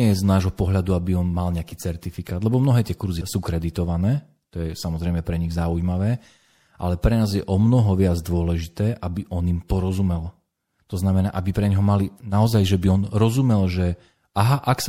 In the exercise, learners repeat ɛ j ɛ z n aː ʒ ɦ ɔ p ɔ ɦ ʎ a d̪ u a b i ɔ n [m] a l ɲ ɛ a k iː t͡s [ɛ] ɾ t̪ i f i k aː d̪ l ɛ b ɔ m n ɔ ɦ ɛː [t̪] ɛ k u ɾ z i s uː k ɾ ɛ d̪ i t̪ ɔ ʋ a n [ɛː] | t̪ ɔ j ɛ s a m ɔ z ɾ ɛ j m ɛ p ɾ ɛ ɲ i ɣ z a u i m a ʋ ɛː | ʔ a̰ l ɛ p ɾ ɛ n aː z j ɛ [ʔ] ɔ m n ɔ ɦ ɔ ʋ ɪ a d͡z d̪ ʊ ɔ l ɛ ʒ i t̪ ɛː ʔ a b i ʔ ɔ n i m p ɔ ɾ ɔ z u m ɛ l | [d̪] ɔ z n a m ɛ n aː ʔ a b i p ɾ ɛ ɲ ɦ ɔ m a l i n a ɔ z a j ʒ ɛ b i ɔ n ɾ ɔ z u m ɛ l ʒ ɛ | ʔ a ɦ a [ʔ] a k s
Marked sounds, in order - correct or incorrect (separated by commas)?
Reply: correct, correct, correct, correct, correct, incorrect, correct